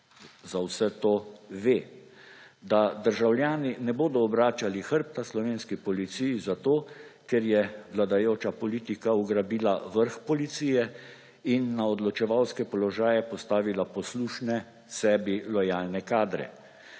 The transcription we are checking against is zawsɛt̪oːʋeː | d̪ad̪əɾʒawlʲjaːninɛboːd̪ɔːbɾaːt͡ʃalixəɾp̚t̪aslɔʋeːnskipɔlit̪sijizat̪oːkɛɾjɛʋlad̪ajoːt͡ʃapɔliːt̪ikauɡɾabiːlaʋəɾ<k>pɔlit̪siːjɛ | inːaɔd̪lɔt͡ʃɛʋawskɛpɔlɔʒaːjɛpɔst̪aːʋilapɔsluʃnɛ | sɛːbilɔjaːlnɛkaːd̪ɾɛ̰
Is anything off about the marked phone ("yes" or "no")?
yes